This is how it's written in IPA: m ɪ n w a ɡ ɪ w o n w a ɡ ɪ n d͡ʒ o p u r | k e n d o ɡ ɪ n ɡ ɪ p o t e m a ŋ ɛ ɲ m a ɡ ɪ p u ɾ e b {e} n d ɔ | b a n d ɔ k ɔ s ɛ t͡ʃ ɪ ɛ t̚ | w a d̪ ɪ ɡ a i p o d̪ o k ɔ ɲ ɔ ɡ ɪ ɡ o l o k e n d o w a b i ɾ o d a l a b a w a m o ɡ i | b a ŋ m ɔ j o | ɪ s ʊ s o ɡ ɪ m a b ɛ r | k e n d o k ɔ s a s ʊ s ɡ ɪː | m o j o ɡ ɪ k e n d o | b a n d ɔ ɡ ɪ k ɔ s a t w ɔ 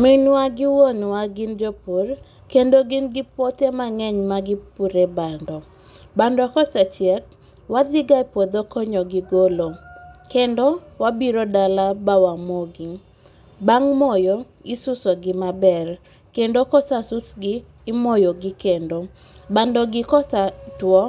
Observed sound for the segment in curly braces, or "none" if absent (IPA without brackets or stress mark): a